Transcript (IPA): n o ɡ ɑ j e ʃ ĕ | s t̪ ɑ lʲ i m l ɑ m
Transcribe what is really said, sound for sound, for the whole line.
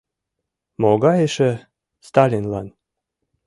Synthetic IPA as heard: m o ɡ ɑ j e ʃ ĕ | s t̪ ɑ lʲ i n l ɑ n